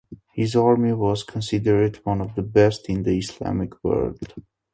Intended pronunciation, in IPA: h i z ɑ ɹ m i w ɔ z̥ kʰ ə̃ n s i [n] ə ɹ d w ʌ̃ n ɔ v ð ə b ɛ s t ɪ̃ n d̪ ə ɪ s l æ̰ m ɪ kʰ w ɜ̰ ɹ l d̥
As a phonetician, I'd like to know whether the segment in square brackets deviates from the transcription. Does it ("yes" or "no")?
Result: yes